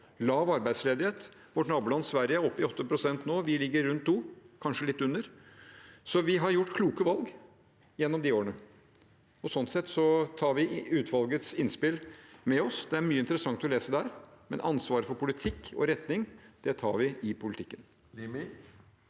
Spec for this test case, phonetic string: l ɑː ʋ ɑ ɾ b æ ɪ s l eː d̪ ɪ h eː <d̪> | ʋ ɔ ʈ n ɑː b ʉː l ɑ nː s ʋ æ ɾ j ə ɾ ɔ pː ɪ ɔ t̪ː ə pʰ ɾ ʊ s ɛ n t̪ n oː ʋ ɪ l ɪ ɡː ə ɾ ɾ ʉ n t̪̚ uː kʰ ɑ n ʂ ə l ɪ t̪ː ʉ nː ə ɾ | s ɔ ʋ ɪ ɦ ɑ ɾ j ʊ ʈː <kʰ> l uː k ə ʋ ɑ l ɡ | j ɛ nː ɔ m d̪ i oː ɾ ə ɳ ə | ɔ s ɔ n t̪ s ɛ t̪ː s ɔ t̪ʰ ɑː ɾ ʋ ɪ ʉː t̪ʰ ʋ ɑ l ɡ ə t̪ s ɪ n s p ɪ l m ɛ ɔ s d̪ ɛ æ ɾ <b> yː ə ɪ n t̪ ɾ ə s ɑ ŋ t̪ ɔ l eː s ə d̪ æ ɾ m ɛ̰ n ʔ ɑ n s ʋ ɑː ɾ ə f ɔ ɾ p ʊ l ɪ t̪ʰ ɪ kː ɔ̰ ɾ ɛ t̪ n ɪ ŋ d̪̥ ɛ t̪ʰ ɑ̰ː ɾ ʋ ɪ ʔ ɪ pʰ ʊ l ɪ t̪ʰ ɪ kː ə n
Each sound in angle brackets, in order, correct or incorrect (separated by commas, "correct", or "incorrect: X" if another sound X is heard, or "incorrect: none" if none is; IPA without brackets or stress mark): incorrect: t̪, correct, incorrect: m